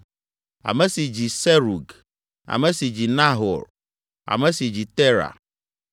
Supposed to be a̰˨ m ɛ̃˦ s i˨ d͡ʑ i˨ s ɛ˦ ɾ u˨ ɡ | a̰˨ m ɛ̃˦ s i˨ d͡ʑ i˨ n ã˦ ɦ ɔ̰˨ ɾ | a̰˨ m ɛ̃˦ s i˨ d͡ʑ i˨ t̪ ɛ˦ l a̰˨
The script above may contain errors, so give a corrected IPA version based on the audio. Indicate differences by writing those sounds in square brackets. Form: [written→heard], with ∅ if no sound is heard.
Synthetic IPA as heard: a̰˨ m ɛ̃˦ s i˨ d͡ʑ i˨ s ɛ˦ ɾ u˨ ɡ | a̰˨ m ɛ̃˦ s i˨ d͡ʑ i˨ n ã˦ ɦ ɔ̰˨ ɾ | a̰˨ m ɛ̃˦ s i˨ d͡ʑ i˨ t̪ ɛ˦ [l→ɾ] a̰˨